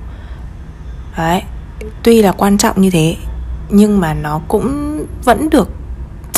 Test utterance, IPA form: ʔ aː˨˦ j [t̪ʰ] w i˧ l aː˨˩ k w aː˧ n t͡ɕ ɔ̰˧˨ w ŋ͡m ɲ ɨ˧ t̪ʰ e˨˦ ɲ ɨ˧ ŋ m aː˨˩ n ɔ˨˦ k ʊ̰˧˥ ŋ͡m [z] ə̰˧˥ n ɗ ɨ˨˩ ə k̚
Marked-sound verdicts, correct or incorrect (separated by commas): incorrect, incorrect